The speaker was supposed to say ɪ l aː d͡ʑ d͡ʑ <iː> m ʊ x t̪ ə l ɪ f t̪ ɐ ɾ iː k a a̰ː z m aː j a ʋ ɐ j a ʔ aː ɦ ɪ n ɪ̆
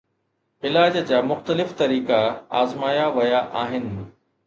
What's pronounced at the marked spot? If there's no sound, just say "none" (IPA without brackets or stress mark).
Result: aː